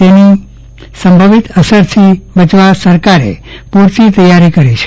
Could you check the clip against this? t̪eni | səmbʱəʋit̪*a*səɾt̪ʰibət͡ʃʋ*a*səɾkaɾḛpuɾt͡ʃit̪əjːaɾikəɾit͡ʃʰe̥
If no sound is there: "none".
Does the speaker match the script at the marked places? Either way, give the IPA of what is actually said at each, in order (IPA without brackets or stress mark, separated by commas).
ə, a